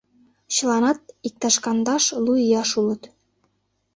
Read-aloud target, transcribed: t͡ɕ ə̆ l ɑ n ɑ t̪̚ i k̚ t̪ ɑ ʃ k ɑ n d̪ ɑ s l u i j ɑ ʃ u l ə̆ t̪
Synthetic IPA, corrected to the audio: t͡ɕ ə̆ l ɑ n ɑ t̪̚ i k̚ t̪ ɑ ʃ k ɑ n d̪ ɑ ʃ l u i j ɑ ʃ u l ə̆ t̪